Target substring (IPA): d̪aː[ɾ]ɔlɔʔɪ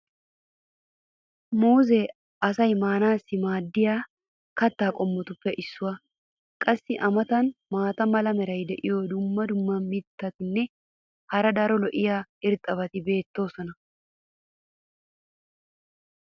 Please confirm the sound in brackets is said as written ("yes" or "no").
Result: yes